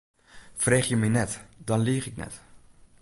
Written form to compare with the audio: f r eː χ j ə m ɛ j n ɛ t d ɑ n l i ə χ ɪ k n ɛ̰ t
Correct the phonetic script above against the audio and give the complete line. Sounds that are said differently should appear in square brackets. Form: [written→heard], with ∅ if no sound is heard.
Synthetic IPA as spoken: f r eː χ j ə m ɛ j n ɛ t d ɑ n l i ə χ ɪ k n ɛ̰ t